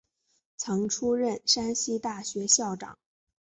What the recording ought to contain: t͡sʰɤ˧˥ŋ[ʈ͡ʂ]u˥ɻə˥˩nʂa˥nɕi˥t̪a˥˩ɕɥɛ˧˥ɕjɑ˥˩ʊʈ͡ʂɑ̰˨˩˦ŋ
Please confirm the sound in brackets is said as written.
no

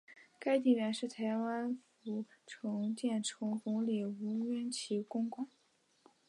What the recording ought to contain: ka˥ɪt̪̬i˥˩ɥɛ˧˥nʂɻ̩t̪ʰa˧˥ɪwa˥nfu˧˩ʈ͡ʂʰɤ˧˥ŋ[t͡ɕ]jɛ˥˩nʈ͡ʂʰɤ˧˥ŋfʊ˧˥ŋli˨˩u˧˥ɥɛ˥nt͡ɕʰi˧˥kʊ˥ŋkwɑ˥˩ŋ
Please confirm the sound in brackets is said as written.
yes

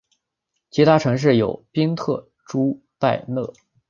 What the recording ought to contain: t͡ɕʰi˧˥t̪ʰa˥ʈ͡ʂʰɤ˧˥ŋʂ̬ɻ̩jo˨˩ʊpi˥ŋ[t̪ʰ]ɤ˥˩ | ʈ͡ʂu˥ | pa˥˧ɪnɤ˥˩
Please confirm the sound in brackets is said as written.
yes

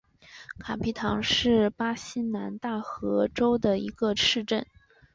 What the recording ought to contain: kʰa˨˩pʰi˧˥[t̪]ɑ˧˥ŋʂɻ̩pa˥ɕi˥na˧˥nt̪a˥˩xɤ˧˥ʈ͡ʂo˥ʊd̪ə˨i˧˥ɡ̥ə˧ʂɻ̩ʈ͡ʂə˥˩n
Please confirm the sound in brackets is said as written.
no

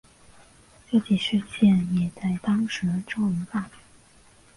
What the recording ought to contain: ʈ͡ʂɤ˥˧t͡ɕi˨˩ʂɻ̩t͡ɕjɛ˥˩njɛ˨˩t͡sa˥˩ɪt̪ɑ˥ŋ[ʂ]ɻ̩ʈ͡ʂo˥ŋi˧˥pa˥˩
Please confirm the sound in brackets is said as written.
yes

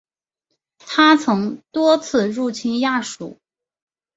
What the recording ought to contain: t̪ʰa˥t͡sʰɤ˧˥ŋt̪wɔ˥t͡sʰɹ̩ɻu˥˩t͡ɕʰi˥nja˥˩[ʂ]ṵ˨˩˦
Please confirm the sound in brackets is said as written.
yes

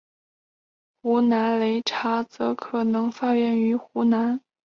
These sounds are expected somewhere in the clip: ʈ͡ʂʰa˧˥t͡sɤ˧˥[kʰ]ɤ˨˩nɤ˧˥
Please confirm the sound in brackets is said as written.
yes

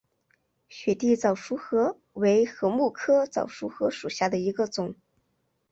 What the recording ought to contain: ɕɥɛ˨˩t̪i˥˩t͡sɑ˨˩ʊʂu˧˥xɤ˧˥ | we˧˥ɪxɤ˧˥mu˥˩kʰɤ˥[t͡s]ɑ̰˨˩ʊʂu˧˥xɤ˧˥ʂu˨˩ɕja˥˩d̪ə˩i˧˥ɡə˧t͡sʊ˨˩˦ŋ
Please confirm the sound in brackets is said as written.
yes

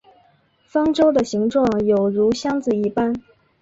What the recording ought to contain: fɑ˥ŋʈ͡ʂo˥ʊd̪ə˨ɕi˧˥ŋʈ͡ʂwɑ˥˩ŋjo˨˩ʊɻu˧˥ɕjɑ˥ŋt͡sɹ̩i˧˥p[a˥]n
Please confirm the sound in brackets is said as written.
yes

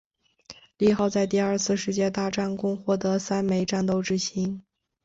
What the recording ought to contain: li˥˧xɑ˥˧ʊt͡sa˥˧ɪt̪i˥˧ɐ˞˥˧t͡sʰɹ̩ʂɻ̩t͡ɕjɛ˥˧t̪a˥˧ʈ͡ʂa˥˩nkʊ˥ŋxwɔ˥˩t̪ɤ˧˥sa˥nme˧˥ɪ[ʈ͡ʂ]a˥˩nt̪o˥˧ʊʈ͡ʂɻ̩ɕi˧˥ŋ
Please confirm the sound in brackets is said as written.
yes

